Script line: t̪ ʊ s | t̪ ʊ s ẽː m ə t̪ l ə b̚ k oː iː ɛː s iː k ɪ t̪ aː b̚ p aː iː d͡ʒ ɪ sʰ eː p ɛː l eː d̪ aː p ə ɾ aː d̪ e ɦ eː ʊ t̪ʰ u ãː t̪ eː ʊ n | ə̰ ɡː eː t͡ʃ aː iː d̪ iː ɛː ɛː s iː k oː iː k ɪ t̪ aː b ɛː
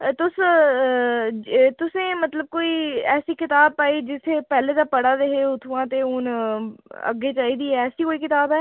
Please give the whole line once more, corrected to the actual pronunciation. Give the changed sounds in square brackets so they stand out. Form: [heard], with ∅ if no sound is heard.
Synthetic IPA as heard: t̪ ʊ s | t̪ ʊ s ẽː m ə t̪ l ə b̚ k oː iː ɛː s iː k ɪ t̪ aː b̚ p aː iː d͡ʒ ɪ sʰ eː p ɛː l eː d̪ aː p ə [ɽ] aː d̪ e ɦ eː ʊ t̪ʰ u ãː t̪ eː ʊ n | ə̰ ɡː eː t͡ʃ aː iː d̪ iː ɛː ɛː s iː k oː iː k ɪ t̪ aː b ɛː